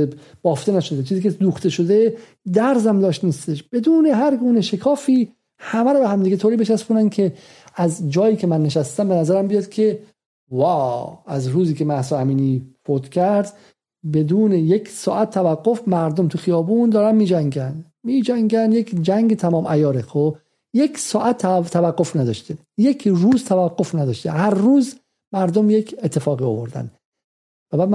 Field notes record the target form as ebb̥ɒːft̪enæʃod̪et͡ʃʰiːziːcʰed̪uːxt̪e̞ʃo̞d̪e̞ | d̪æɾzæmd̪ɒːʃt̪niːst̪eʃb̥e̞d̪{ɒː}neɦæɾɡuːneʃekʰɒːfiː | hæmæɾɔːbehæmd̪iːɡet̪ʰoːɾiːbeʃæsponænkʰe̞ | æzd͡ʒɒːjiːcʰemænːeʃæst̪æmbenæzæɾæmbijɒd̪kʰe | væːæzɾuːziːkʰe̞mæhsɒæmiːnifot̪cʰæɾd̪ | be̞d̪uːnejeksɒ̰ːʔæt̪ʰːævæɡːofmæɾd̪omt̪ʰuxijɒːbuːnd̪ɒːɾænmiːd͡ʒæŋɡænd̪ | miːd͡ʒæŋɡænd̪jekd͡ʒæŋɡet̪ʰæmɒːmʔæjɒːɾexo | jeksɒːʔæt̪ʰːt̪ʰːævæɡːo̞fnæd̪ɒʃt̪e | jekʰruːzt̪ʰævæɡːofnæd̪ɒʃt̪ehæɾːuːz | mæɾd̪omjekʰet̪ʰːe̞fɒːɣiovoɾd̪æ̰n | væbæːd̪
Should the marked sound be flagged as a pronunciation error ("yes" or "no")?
yes